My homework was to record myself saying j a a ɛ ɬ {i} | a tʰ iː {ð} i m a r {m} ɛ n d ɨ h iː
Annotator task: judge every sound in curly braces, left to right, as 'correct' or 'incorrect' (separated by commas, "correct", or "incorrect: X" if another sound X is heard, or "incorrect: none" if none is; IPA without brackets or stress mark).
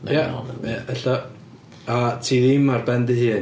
incorrect: a, correct, incorrect: b